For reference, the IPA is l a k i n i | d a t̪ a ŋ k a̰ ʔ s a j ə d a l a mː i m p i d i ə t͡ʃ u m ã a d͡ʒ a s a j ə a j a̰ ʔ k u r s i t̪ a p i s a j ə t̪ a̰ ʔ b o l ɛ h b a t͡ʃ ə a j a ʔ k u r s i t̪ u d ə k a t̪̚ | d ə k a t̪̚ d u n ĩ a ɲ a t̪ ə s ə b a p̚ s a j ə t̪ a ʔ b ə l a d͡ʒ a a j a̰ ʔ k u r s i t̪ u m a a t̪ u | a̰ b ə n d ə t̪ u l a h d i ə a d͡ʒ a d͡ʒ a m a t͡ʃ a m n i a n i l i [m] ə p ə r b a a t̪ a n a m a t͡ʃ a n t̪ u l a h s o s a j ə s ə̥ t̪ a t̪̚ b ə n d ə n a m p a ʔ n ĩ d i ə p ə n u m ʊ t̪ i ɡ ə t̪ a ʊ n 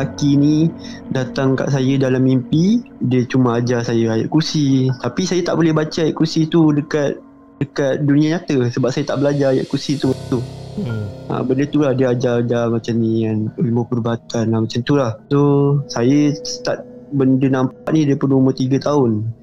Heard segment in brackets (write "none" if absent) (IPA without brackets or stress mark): m